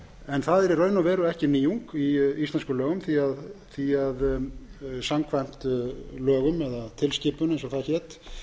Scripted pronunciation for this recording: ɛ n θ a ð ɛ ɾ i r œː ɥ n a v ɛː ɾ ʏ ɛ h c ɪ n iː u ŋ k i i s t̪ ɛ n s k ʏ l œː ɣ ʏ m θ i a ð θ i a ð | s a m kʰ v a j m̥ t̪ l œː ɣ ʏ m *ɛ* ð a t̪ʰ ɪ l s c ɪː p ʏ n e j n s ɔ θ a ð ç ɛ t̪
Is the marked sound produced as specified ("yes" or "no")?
yes